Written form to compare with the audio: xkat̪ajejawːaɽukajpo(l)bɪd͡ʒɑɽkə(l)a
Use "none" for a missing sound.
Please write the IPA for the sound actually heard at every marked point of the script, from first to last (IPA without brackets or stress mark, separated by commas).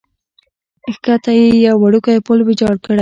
l, ɽ